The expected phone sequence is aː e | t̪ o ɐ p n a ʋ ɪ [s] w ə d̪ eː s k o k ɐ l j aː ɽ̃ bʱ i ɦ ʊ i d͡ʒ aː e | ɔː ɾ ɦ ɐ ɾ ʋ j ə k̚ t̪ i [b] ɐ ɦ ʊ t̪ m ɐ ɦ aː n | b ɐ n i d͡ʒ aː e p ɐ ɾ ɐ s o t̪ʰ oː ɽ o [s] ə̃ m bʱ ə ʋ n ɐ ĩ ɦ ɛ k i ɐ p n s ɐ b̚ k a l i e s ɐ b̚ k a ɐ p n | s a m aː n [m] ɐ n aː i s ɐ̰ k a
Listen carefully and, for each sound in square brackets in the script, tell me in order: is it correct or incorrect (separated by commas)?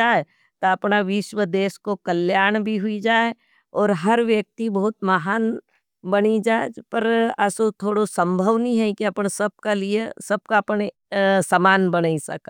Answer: incorrect, correct, correct, incorrect